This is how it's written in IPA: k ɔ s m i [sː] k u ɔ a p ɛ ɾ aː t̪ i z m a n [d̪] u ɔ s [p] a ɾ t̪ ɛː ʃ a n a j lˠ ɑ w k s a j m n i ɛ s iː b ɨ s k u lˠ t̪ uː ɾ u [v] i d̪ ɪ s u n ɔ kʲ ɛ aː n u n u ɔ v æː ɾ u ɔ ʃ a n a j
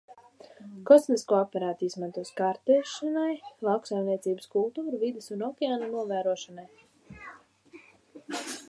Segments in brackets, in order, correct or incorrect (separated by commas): incorrect, incorrect, incorrect, correct